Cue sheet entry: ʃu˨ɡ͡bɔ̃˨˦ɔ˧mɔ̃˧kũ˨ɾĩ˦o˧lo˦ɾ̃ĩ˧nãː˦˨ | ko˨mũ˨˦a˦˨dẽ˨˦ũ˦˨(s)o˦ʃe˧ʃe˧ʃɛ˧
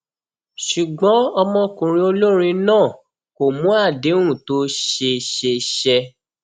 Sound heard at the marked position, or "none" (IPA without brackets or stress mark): t